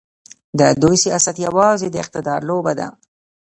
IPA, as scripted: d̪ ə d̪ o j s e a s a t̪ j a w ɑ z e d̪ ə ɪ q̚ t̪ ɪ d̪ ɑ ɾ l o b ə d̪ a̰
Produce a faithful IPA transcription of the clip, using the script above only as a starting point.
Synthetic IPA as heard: d̪ ə d̪ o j s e a s a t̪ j a w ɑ z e d̪ ə ɪ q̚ t̪ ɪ d̪ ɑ ɾ l o b a d̪ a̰

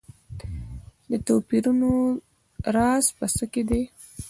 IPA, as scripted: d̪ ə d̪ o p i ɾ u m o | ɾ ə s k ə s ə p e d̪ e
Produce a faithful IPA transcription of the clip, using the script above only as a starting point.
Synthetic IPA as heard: d̪ ə t̪ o p i ɾ u n o | ɾ ɑ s p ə s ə k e d̪ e

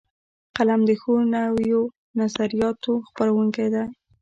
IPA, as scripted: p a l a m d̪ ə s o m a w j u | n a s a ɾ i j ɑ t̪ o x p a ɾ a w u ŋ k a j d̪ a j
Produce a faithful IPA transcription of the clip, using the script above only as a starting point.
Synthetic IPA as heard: q a l a m d̪ ə x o n a w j o | n a z a ɾ i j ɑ t̪ o x p a ɾ a w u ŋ k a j d̪ a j

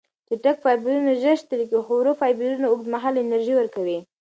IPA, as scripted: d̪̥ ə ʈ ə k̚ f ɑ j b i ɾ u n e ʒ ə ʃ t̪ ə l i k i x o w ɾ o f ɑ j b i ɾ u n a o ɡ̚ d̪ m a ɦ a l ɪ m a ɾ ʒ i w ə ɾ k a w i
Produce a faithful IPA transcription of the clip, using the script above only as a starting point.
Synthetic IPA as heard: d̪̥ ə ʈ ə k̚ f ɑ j b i ɾ u n a ʒ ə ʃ t̪ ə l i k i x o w ɾ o f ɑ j b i ɾ u n a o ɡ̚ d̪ m a ɦ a l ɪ n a ɾ ʒ i w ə ɾ k a w i

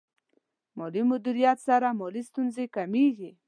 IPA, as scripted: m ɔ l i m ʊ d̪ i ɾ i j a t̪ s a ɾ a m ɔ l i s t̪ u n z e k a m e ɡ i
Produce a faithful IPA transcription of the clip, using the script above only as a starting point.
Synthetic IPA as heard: m ɔ l i m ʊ d̪ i ɾ i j a t̪ s a ɾ a m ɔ l i s t̪ u n z e k a m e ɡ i

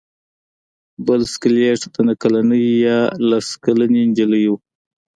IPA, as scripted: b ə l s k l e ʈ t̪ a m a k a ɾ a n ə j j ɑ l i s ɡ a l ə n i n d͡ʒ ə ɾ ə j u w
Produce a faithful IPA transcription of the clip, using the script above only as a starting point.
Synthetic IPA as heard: b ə l s k l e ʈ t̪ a n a k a l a n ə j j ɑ l a s k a l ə n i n d͡ʒ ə l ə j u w

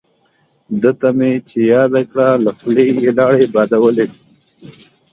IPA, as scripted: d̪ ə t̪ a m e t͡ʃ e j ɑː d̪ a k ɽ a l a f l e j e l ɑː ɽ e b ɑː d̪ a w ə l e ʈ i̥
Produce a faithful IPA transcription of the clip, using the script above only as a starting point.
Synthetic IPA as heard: d̪ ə t̪ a m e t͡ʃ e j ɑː d̪ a k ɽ a l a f l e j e l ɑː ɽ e b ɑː d̪ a w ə l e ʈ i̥

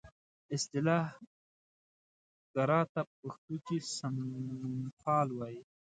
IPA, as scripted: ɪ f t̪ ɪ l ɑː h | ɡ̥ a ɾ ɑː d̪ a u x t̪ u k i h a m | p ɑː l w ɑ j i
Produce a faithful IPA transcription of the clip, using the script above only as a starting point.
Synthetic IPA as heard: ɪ s t̪ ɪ l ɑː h | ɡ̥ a ɾ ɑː t̪ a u x t̪ u k i s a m | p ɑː l w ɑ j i

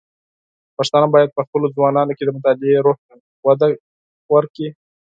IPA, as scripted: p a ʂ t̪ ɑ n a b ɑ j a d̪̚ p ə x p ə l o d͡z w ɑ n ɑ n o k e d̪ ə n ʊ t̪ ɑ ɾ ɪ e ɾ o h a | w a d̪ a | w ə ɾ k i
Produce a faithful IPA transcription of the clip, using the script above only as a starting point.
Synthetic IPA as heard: p a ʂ t̪ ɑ n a b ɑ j a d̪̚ p ə x p ə l o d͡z w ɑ n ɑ n o k e d̪ ə m ʊ t̪ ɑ l ɪ e ɾ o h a | w a d̪ a | w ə ɾ k i

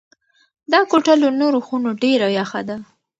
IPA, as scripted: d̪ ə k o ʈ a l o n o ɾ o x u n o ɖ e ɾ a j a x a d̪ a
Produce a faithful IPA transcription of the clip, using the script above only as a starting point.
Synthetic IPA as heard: d̪ ɑ k o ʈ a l o n o ɾ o x u n o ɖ e ɾ a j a x a d̪ a

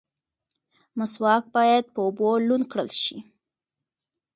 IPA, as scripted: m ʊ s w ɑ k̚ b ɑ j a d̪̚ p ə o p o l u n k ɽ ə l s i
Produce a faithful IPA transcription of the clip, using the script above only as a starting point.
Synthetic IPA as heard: m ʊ s w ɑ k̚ b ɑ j a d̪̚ p ə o b o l u n k ɽ ə l ʃ i

